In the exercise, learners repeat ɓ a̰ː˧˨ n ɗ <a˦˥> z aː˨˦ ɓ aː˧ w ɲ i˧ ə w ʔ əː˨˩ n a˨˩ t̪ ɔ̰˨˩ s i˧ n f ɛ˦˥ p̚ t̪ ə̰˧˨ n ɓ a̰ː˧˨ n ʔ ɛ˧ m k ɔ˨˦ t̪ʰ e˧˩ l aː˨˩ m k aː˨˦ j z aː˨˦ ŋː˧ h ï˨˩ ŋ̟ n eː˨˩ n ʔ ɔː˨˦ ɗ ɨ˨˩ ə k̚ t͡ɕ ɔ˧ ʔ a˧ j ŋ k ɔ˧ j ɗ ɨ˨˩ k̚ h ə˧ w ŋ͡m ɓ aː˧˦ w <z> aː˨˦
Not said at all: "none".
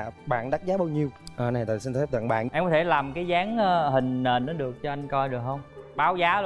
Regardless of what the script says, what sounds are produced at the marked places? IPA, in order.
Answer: a˦˥, z

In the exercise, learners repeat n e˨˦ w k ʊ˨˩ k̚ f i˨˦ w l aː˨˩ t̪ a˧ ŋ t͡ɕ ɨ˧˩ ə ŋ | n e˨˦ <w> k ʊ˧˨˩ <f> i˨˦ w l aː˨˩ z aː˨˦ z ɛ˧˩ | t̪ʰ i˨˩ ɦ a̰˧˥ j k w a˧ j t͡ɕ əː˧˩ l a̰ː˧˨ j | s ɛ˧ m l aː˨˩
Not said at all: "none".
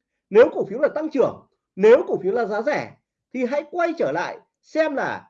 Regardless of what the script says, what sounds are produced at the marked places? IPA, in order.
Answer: w, f

